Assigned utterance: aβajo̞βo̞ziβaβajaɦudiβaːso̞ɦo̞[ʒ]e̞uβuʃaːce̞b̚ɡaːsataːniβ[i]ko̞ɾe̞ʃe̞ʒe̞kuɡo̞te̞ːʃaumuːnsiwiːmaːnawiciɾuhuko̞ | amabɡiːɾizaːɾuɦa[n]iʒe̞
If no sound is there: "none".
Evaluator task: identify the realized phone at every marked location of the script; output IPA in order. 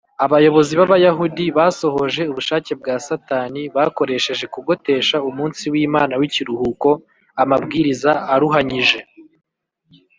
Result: ʒ, a, ɲ

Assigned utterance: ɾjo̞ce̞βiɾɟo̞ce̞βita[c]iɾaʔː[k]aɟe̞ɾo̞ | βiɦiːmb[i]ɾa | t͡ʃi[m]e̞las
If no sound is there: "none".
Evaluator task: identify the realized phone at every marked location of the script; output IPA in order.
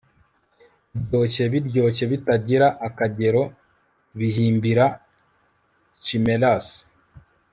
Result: ɟ, k, i, m

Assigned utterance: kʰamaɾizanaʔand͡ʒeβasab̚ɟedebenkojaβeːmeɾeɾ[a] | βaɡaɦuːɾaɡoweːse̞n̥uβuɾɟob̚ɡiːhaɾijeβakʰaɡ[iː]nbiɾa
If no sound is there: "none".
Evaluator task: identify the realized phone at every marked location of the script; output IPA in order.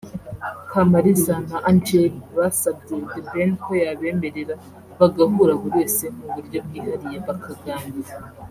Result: a, aː

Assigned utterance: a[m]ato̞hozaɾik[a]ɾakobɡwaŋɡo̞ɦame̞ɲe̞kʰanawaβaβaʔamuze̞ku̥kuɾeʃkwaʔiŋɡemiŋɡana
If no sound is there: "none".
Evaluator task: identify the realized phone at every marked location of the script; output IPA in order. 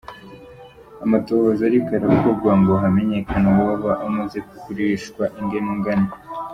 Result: m, a

